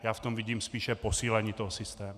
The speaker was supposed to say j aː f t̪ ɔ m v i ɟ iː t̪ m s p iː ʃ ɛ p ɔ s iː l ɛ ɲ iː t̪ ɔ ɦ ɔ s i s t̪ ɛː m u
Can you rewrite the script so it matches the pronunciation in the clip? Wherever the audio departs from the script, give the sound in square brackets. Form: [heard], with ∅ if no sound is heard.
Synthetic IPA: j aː f t̪ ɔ m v i ɟ iː [∅] m s p iː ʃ ɛ p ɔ s iː l ɛ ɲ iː t̪ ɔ ɦ ɔ s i s t̪ ɛː m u